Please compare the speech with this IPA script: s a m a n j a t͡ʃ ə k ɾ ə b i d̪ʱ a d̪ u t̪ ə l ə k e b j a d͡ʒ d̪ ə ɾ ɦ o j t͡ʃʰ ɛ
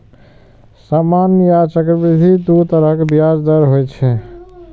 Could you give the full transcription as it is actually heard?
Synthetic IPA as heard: s a m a n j a t͡ʃ ə k ɾ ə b i d̪ʱ i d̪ u t̪ ə ɾ ə k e b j a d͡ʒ d̪ ə ɾ ɦ o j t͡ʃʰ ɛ